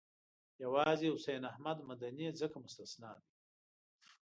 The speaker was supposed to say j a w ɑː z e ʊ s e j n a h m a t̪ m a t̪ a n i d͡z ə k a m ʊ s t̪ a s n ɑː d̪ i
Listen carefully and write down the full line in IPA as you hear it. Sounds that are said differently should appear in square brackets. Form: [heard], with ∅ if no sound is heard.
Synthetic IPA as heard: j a w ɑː z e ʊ s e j n a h m a [d̪] m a [d̪] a n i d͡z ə k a m ʊ s t̪ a s n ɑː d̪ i